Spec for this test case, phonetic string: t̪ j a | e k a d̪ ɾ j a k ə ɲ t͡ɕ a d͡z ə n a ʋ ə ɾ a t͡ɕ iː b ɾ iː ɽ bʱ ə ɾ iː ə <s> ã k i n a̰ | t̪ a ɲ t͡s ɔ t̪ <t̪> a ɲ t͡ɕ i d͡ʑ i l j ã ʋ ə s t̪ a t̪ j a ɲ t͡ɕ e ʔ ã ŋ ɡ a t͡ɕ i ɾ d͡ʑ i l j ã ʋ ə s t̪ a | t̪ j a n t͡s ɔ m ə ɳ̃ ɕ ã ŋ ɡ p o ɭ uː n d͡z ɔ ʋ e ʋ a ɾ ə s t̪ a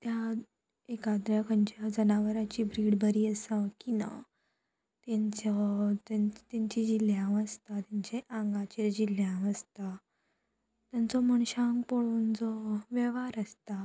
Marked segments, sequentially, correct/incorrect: correct, correct

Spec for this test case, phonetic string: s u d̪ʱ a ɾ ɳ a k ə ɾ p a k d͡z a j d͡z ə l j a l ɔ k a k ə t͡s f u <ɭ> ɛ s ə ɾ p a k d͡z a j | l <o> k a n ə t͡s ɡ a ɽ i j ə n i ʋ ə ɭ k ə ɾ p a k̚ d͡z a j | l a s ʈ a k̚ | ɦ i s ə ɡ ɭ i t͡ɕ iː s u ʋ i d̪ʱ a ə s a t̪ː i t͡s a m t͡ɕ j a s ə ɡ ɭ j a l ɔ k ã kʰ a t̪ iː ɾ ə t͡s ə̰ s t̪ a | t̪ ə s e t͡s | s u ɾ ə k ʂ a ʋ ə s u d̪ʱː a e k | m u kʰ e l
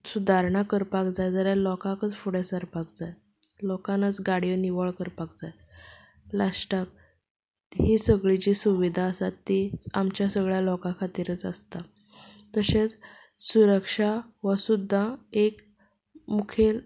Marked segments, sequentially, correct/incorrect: incorrect: ɽ, incorrect: ɔ

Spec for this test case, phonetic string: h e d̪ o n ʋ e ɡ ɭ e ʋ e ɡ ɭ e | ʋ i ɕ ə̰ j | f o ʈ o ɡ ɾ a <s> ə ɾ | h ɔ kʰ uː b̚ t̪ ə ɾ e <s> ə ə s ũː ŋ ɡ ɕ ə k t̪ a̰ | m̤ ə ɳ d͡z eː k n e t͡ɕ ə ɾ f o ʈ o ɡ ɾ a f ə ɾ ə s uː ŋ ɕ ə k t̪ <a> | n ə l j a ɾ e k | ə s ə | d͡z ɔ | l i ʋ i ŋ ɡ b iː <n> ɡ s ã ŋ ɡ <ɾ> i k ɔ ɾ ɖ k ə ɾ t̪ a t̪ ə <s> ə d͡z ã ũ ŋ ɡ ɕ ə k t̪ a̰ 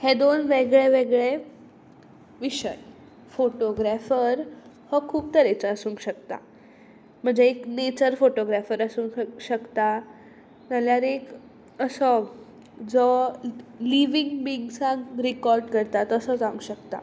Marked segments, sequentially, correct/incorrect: incorrect: f, incorrect: t͡s, correct, incorrect: ŋ, correct, correct

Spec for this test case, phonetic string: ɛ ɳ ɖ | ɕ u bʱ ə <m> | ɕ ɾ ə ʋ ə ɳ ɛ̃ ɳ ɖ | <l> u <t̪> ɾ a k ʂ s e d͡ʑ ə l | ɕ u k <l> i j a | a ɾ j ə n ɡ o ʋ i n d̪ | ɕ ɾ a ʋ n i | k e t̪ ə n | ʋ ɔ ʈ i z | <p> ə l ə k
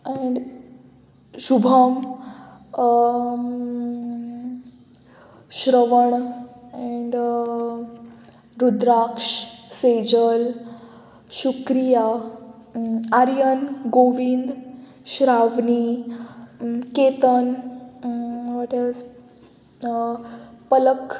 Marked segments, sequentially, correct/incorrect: correct, incorrect: ɾ, incorrect: d̪, incorrect: ɾ, correct

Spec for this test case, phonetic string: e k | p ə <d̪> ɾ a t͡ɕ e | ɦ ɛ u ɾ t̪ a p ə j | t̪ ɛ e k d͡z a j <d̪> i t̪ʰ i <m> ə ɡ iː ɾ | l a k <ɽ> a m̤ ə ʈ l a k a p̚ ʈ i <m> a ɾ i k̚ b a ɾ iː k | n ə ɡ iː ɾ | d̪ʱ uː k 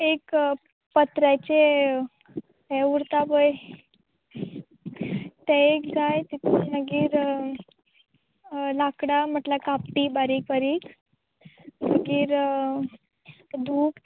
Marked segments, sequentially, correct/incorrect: incorrect: t̪, incorrect: t̪, incorrect: n, correct, incorrect: b

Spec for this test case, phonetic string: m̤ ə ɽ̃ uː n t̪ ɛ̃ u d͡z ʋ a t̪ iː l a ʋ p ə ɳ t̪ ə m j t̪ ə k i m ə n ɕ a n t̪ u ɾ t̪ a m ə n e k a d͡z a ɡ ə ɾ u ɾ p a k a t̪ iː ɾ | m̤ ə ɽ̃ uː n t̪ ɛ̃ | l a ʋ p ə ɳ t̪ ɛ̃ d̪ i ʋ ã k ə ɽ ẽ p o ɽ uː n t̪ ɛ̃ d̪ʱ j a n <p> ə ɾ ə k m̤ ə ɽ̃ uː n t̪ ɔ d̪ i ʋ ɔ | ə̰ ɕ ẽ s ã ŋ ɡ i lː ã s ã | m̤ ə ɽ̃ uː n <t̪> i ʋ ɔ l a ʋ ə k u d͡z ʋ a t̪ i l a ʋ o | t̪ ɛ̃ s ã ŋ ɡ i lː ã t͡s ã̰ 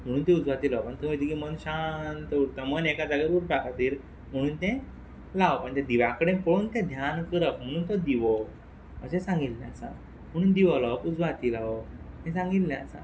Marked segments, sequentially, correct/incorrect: incorrect: k, incorrect: d̪

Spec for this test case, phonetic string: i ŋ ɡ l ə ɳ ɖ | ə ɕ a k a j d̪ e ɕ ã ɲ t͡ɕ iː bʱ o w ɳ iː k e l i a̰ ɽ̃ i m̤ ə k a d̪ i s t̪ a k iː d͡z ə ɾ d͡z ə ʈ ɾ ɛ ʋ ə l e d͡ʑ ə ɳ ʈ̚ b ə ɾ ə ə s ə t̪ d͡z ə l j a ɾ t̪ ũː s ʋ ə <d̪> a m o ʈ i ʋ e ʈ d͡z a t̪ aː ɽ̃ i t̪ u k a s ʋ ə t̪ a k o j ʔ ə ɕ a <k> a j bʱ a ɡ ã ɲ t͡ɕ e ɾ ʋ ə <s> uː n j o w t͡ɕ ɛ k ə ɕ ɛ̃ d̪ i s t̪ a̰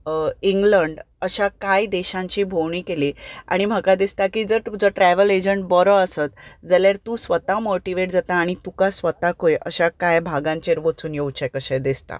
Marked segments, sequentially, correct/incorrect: incorrect: t̪, correct, incorrect: t͡s

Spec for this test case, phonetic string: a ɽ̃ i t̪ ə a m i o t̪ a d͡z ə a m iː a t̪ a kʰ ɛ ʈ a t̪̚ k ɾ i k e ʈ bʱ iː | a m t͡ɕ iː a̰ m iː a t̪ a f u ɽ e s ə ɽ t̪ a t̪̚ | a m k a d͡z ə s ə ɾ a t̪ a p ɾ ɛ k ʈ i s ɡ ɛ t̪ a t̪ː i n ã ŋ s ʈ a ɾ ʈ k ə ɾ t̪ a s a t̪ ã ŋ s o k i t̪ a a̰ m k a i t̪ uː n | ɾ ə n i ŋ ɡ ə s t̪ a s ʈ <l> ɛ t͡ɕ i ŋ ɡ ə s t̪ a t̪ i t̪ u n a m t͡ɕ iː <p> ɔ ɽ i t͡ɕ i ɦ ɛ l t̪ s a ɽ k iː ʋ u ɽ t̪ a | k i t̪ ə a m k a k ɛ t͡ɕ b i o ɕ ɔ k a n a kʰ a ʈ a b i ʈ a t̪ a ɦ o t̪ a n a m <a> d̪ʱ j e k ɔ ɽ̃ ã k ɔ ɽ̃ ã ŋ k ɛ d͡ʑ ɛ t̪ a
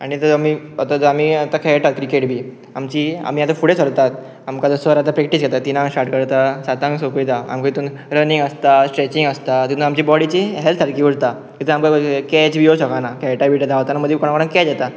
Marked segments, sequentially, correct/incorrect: incorrect: ɾ, incorrect: b, incorrect: ə

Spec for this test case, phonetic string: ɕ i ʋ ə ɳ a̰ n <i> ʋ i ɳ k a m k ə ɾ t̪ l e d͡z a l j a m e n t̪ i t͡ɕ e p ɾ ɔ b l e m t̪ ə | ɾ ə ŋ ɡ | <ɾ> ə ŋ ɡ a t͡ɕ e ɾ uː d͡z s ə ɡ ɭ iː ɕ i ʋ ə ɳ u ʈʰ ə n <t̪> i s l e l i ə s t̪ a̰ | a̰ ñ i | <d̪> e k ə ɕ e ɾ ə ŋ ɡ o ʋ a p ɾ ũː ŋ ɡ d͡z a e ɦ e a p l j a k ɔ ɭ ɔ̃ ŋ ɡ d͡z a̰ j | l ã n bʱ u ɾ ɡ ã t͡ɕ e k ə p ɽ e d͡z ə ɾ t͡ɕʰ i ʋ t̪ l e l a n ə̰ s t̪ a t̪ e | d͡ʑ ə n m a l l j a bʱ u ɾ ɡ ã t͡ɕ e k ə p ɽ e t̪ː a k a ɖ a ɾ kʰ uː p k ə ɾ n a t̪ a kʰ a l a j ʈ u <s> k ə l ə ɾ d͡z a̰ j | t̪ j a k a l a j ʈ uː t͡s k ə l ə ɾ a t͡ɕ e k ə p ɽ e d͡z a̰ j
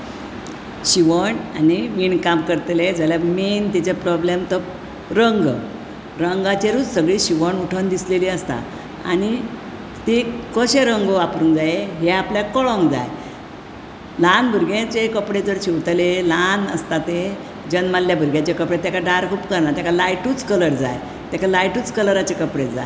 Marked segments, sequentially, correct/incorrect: correct, correct, incorrect: d̪, incorrect: t̪, incorrect: t͡s

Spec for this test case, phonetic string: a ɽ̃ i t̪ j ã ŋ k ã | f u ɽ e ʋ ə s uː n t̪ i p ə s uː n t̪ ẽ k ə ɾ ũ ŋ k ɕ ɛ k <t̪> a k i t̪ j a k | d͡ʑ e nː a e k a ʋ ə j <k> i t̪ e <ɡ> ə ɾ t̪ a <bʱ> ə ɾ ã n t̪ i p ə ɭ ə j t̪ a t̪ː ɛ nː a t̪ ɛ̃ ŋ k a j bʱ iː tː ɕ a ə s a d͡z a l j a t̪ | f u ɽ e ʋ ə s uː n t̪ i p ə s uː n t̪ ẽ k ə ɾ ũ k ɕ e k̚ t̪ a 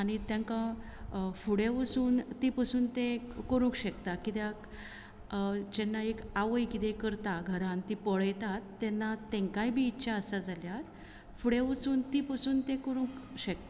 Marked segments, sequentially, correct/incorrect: correct, correct, incorrect: k, incorrect: ɡʱ

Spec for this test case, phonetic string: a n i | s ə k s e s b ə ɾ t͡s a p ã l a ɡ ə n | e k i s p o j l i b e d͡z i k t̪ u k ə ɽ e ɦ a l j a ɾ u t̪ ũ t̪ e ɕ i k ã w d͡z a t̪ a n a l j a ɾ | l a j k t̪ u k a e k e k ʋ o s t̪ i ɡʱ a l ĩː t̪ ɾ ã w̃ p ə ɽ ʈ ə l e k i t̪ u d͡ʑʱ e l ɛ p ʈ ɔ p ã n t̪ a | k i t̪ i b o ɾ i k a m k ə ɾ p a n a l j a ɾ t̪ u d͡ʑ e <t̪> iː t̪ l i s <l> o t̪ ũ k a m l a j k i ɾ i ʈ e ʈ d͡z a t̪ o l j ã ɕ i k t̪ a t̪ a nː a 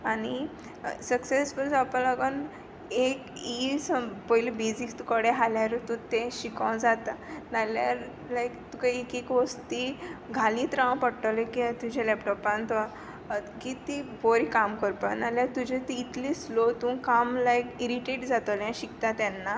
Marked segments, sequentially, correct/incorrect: correct, correct

